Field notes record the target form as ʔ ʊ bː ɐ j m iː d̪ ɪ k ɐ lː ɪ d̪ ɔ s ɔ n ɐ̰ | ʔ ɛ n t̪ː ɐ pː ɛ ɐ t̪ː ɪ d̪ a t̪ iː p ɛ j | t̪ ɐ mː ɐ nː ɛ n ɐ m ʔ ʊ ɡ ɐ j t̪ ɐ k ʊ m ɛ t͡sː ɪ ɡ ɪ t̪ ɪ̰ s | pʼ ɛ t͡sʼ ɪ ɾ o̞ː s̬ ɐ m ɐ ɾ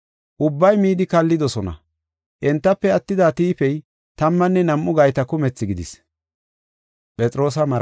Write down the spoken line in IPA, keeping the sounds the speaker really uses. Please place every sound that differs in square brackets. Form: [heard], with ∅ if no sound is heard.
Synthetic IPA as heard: ʔ ʊ bː ɐ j m iː d̪ ɪ k ɐ lː ɪ d̪ ɔ s ɔ n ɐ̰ | ʔ ɛ n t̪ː ɐ pː ɛ ɐ t̪ː ɪ d̪ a t̪ iː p ɛ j | t̪ ɐ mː ɐ nː ɛ n ɐ m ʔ ʊ ɡ ɐ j t̪ ɐ k ʊ m ɛ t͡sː ɪ ɡ ɪ [d̪] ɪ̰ s | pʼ ɛ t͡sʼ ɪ ɾ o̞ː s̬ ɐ m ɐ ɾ